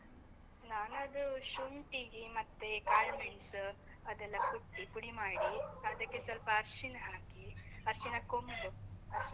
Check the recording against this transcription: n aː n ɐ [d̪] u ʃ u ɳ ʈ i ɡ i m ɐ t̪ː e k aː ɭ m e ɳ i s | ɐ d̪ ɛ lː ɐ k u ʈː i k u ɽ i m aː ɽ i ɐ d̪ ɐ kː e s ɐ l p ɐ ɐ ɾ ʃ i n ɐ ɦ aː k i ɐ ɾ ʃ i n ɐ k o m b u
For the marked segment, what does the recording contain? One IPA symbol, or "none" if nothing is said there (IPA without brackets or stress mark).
d̪